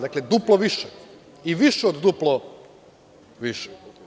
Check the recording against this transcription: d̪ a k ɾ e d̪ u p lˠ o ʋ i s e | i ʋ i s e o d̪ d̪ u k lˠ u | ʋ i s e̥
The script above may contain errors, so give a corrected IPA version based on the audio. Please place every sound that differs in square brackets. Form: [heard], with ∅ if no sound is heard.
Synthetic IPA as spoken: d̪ a k [l] e d̪ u p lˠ o ʋ i [ʃ] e | i ʋ i [ʃ] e o d̪ d̪ u [p] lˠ [o] | ʋ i [ʃ] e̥